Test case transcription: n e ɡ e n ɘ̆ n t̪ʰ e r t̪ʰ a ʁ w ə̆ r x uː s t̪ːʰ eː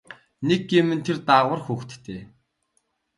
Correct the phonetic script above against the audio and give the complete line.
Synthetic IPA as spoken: n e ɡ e m ɘ̆ n t̪ʰ e r t̪ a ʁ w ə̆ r x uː x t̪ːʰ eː